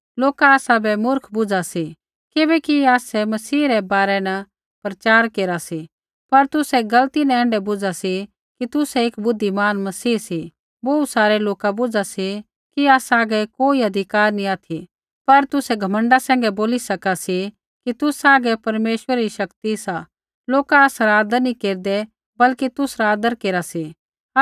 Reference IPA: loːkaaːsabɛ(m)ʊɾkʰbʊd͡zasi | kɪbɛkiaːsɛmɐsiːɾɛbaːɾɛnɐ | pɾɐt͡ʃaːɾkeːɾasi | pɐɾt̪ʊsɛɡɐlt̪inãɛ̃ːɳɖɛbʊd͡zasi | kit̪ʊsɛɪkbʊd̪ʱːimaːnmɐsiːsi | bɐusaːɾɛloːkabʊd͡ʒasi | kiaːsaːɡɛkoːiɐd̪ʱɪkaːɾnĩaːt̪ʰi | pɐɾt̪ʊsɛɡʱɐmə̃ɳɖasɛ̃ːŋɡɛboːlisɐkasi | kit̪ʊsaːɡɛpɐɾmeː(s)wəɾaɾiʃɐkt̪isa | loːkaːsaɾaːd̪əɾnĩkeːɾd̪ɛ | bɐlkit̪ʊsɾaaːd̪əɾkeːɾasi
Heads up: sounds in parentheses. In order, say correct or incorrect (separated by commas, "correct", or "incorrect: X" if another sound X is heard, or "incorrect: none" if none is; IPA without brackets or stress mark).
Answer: correct, incorrect: ʃ